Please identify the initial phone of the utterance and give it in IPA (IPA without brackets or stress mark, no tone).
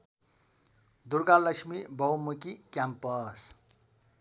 d̪